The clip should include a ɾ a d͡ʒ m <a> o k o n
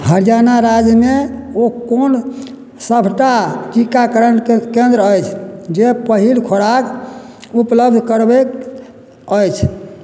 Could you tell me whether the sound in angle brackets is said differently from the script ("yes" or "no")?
yes